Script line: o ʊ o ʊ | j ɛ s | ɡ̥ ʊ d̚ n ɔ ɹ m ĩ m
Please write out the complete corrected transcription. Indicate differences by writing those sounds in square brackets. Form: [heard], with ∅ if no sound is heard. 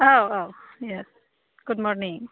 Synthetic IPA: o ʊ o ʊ | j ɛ s | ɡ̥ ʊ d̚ [m] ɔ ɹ [n] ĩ [ŋ]